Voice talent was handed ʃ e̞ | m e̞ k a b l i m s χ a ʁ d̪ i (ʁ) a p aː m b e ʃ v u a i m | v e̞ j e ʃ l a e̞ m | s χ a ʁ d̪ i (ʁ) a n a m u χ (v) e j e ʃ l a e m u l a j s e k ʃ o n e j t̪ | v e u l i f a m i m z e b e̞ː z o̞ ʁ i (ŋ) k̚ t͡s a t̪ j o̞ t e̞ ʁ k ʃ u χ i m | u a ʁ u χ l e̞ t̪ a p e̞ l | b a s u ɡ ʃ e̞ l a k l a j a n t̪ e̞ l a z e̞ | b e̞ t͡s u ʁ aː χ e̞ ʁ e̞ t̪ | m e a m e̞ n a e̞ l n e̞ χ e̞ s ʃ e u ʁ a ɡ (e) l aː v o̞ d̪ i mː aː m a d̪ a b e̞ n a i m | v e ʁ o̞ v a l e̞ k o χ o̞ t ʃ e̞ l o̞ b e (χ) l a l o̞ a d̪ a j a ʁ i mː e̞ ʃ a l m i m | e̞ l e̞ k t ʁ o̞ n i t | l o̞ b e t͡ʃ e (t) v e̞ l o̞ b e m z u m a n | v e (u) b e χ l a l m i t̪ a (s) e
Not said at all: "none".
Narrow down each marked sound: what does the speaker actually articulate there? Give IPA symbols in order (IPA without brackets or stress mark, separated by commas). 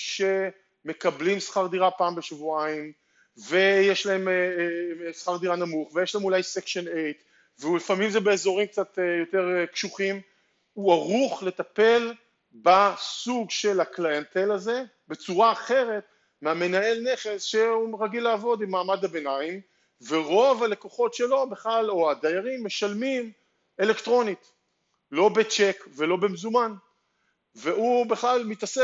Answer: ʁ, ʁ, v, m, i, χ, k, u, s